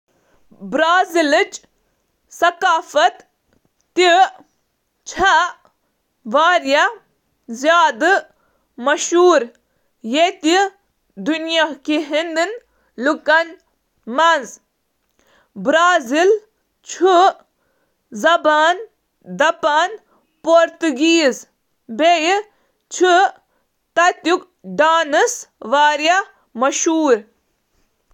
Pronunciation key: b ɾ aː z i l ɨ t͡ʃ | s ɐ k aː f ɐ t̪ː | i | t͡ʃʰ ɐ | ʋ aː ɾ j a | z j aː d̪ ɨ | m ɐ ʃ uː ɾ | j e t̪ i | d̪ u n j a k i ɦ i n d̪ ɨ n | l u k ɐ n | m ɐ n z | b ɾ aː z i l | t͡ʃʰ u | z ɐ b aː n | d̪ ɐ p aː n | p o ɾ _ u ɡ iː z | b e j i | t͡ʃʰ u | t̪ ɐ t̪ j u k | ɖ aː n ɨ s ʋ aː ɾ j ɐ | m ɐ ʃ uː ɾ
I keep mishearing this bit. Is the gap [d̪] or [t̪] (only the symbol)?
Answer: t̪